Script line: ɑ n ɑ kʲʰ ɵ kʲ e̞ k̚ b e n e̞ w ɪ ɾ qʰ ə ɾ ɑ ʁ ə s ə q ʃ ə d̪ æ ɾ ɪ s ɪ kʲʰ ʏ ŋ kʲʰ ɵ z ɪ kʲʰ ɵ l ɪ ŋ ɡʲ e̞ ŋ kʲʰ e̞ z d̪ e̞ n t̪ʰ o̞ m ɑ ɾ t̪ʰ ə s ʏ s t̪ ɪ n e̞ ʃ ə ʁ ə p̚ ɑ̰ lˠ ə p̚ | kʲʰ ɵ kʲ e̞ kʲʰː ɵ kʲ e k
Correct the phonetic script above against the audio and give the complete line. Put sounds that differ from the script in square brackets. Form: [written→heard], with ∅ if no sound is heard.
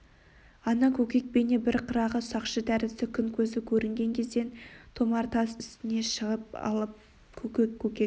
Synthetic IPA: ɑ n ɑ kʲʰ ɵ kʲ e̞ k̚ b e n e̞ [w→b] ɪ ɾ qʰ ə ɾ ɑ ʁ ə s [ə→ɑ] q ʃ ə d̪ æ ɾ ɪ s ɪ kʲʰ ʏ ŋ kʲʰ ɵ z ɪ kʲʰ ɵ [l→ɾ] ɪ ŋ ɡʲ e̞ ŋ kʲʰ e̞ z d̪ e̞ n t̪ʰ o̞ m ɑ ɾ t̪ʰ [ə→ɑ] s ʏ s t̪ ɪ n e̞ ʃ ə ʁ ə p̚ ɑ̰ lˠ ə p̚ | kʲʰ ɵ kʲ e̞ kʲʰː ɵ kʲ e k